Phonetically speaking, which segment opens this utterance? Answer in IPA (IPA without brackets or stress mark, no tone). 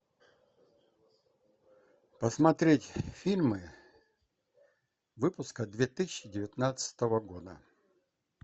p